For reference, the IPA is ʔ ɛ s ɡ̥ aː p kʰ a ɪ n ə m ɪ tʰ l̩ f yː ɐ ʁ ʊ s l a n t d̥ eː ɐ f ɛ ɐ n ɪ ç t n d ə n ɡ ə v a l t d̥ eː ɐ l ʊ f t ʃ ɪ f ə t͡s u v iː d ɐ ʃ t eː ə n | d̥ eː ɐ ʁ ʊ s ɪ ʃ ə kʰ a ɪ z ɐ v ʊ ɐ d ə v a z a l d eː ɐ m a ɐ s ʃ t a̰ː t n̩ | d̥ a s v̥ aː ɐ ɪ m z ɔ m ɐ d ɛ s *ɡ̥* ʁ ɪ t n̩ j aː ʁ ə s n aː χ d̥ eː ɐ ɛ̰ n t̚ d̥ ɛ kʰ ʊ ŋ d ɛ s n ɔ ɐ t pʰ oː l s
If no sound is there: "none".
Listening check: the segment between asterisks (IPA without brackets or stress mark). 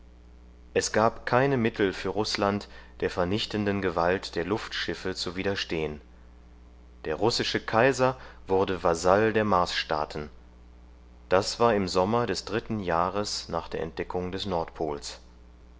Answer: d̥